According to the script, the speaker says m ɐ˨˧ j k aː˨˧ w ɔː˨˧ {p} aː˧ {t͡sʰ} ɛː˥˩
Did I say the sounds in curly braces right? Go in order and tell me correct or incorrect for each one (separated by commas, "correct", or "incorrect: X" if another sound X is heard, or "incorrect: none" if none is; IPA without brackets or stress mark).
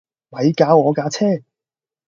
incorrect: k, correct